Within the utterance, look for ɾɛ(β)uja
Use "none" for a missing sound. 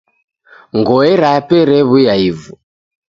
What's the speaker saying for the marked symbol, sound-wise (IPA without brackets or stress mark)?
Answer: β